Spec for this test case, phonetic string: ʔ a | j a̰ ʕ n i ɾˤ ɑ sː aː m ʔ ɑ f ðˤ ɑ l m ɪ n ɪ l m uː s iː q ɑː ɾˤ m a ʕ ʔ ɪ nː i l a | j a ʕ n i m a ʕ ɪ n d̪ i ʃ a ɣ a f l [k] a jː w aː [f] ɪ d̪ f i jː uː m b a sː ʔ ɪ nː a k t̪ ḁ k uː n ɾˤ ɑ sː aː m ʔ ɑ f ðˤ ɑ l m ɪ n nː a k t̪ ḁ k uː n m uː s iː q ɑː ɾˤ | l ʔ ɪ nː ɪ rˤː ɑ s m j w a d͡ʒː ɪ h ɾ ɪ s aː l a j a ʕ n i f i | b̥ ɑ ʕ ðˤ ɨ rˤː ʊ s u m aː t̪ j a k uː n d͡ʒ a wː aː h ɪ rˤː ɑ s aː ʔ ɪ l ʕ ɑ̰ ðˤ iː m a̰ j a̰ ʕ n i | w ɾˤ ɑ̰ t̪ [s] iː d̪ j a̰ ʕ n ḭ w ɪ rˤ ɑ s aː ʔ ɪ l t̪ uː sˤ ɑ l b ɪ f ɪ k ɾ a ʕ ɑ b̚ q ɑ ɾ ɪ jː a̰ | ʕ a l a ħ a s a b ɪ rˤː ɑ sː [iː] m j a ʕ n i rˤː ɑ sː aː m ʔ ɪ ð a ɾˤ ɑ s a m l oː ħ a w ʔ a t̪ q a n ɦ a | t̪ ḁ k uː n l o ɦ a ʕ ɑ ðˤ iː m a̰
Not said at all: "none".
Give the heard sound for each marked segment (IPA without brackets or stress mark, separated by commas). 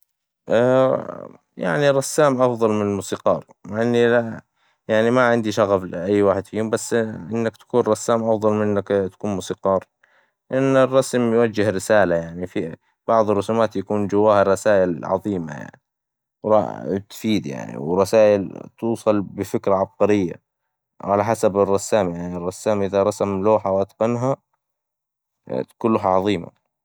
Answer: ʔ, ħ, f, aː